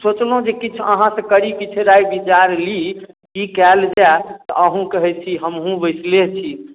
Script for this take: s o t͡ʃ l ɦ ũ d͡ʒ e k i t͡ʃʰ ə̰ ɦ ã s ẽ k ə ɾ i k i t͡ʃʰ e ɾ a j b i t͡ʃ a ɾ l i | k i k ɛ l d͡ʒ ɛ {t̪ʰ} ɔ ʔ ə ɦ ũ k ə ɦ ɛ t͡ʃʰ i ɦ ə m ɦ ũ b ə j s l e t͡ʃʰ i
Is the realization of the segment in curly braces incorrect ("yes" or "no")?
yes